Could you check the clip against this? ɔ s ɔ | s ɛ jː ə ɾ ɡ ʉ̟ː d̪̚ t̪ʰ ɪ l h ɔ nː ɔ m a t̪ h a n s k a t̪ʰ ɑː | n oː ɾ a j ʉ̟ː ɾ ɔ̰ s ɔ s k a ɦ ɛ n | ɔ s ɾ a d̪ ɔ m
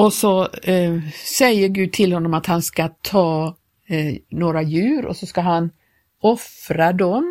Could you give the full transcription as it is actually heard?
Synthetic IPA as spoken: ɔ s ɔ | s ɛ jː ə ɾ ɡ ʉ̟ː d̪̚ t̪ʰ ɪ l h ɔ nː ɔ m a t̪ h a n s k a t̪ʰ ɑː | n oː ɾ a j ʉ̟ː ɾ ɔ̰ s ɔ s k a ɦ a n | ɔ f ɾ a d̪ ɔ m